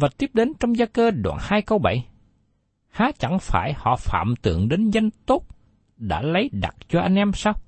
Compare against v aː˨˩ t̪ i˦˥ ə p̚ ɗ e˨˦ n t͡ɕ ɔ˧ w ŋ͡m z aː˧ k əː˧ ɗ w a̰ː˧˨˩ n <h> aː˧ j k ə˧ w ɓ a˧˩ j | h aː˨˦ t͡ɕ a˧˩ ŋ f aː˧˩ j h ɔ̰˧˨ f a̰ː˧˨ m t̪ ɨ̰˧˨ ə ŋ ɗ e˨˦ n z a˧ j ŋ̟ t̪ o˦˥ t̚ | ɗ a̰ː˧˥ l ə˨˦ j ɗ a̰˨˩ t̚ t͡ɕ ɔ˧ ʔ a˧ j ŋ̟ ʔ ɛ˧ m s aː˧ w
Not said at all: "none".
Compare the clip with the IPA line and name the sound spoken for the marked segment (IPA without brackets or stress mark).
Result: h